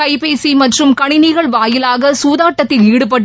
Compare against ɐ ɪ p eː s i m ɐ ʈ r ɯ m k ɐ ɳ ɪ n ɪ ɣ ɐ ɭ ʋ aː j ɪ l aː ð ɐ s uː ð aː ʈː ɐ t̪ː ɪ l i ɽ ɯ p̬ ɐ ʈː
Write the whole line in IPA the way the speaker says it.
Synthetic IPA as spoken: ɐ ɪ p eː s i m ɐ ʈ r ɯ m k ɐ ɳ ɪ n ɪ ɣ ɐ ɭ ʋ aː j ɪ l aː ɣ ɐ s uː ð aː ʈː ɐ t̪ː ɪ l iː ɽ ɯ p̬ ɐ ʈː